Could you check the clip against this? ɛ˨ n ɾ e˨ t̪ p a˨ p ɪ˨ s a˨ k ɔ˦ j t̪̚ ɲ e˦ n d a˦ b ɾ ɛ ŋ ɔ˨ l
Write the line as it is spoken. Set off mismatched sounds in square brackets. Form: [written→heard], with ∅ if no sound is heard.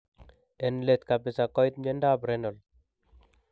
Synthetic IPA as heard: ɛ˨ n [ɾ→l] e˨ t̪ [p→k] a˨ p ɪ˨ s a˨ k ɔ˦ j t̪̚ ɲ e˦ n d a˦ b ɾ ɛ [ŋ→n] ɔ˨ l